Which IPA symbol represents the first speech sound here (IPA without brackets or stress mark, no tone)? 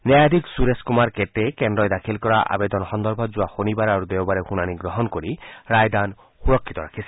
n